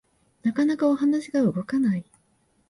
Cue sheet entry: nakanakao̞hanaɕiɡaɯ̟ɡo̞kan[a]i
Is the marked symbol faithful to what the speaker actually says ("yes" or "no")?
yes